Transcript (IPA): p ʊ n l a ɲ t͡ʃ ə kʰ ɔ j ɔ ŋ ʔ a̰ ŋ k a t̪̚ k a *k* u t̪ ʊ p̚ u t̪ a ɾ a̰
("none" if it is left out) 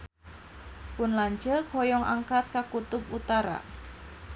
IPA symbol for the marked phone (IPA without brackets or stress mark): k